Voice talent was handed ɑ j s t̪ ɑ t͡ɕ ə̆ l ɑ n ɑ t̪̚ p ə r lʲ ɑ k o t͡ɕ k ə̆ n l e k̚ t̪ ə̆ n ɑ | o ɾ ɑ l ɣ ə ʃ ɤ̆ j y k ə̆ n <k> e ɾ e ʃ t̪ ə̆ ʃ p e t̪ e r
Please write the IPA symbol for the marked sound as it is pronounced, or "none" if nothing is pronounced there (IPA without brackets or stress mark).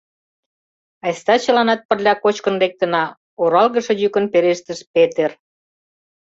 p